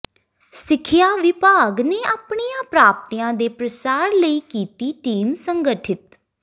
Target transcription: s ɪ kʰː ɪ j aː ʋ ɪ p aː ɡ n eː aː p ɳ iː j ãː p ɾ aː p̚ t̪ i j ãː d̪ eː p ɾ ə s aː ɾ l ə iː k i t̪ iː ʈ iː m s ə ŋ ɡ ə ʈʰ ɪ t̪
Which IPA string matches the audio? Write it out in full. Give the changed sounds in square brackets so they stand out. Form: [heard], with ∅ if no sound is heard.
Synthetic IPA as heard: s ɪ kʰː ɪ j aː ʋ ɪ p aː ɡ n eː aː p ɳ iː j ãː p ɾ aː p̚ t̪ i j ãː d̪ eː p ɾ ə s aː ɾ l ə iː k [iː] t̪ iː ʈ iː m s ə ŋ ɡ ə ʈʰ ɪ t̪